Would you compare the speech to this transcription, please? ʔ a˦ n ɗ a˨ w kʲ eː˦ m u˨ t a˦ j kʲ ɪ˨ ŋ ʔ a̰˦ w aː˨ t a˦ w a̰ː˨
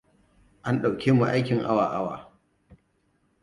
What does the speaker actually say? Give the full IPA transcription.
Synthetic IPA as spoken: ʔ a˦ n ɗ a˨ w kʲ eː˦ m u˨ ʔ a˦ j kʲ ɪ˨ ŋ ʔ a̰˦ w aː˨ ʔ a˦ w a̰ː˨